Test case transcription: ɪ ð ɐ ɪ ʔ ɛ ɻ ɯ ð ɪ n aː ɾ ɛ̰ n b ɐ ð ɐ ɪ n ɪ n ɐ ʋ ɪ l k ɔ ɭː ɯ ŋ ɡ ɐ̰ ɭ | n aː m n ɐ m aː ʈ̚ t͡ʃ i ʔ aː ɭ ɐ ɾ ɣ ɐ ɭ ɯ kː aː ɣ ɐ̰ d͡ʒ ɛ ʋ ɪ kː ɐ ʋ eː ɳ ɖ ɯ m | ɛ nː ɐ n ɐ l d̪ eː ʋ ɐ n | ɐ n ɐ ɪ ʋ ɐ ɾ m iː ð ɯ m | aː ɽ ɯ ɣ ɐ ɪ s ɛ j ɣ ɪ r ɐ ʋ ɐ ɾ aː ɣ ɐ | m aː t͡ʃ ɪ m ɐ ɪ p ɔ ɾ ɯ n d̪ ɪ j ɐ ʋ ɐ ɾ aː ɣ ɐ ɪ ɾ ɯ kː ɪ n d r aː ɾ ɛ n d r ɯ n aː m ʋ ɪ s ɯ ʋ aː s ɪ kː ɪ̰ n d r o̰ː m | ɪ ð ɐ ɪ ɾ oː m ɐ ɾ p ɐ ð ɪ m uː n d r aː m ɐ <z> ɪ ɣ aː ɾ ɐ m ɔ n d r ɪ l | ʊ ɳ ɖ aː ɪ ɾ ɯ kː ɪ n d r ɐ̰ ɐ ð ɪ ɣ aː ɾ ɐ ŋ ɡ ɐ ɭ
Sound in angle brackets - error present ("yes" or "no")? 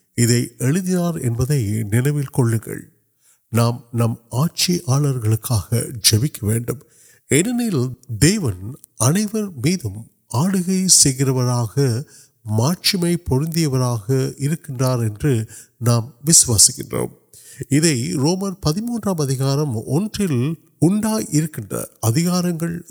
yes